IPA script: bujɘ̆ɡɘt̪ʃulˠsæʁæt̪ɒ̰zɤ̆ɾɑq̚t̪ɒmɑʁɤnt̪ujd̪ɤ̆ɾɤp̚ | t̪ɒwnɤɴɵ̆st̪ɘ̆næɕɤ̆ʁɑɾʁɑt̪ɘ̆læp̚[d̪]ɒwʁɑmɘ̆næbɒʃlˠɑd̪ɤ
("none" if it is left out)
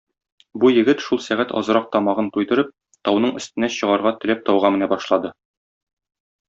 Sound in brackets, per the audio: t̪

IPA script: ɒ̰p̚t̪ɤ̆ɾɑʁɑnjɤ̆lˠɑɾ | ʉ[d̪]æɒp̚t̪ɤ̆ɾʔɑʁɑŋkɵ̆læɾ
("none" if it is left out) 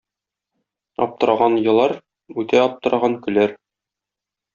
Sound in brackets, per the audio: t̪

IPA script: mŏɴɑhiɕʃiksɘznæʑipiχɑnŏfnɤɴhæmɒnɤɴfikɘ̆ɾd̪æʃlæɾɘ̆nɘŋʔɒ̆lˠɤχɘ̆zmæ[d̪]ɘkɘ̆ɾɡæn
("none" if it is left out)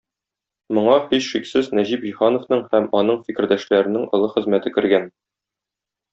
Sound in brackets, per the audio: t̪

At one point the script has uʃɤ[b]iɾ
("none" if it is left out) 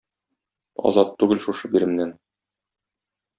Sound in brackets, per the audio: b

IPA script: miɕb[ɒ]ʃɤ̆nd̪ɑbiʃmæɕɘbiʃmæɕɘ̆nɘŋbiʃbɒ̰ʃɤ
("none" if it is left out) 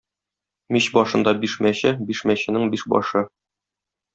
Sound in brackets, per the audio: ɒ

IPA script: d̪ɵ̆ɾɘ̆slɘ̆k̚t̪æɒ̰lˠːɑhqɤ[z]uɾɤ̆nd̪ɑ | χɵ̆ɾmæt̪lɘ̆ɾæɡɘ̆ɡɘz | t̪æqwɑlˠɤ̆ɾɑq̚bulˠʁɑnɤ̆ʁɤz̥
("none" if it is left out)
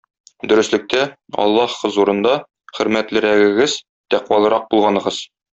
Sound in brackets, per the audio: z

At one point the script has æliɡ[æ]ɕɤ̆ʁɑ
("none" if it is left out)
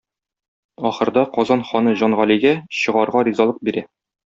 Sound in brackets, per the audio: æ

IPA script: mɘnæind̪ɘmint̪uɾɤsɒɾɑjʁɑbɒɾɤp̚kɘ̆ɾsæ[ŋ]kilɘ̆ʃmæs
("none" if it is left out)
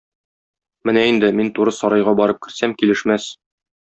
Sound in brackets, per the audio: m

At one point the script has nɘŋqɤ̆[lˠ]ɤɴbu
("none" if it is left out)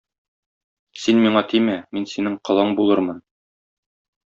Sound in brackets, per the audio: lˠ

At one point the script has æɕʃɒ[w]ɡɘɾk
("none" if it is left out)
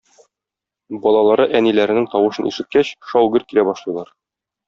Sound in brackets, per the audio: w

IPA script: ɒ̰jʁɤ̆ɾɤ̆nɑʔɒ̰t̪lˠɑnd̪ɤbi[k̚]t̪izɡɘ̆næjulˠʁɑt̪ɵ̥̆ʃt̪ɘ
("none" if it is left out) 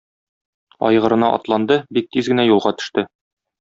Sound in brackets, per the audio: k̚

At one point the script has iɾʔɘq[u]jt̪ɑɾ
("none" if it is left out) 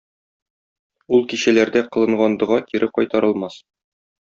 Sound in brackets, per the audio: ɒ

